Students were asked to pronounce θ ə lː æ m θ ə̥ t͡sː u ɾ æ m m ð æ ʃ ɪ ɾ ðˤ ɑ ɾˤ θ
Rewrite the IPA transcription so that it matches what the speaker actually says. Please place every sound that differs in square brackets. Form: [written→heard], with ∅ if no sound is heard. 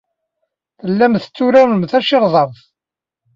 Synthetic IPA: θ ə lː æ m θ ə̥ t͡sː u ɾ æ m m [ð→θ] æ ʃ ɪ ɾ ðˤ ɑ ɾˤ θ